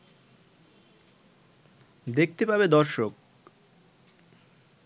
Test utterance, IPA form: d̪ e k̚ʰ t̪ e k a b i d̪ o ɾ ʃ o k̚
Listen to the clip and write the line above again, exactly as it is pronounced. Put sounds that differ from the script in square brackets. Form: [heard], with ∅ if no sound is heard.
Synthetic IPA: d̪ e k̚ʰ t̪ e [p] a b [e] d̪ [ɔ] ɾ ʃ o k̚

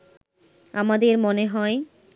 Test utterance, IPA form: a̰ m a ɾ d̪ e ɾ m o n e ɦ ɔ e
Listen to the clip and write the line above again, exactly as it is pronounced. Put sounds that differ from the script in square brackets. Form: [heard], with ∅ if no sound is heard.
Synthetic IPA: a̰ m a [∅] d̪ e ɾ m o n e ɦ ɔ e

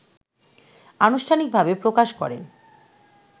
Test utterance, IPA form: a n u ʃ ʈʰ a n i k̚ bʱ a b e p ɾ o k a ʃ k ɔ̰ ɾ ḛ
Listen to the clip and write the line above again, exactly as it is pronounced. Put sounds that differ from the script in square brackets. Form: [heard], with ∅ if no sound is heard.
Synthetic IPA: a n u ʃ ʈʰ a n i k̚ bʱ a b e p ɾ o k a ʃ k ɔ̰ ɾ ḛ

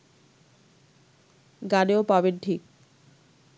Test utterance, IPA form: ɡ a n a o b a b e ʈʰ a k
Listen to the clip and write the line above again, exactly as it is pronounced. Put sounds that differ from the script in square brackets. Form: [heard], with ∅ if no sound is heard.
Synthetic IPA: ɡ a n [e] o [p] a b e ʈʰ [i] k

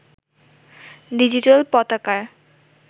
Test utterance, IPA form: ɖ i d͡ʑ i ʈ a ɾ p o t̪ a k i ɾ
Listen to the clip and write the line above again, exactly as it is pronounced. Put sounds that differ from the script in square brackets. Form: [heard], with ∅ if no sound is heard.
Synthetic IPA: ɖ i d͡ʑ i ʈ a [l] p [ɔ] t̪ a k [a] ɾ

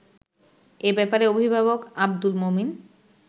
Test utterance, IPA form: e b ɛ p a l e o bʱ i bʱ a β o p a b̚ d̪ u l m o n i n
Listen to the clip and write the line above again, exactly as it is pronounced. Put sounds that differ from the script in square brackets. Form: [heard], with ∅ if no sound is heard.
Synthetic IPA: e b ɛ p a [ɾ] e o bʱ i bʱ a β o [k] a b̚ d̪ u l m o [m] i n

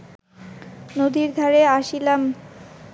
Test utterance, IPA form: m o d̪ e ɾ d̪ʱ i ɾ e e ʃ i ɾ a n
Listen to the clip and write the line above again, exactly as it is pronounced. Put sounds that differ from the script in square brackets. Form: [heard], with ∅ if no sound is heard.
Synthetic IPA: [n] o d̪ [i] ɾ d̪ʱ [a] ɾ e [a] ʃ i [l] a [m]

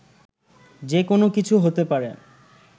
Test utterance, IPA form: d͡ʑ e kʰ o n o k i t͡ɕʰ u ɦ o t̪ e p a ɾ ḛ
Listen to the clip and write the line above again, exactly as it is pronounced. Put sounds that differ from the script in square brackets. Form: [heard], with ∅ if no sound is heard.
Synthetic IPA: d͡ʑ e [k] o n o k i t͡ɕʰ u ɦ o t̪ e p a ɾ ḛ

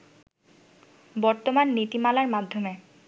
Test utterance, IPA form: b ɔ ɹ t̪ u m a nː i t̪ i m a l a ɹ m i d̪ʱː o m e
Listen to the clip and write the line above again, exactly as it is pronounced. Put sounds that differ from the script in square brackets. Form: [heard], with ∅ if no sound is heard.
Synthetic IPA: b ɔ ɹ t̪ [o] m a nː i t̪ i m a l a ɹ m [a] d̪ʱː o m e

